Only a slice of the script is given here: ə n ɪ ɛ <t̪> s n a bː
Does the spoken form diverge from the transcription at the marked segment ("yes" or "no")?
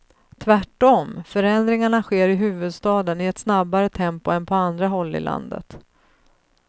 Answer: no